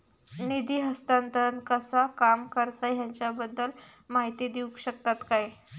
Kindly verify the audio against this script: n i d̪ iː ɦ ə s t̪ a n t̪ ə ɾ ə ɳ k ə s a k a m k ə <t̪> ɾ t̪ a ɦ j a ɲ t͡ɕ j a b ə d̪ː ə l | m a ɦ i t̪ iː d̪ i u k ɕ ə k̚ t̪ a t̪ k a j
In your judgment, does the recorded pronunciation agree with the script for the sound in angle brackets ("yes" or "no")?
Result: no